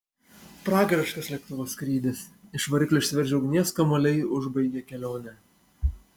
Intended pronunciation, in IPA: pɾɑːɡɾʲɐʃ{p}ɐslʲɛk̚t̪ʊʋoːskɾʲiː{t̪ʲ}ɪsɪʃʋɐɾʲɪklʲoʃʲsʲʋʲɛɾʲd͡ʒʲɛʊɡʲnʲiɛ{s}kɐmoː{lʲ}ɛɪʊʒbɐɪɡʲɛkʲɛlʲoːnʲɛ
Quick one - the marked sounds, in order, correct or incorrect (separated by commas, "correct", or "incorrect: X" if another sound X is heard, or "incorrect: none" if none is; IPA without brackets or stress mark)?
incorrect: k, incorrect: d̪ʲ, correct, correct